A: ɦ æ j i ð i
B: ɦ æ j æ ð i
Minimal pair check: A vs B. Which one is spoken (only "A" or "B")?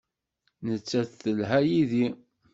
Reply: A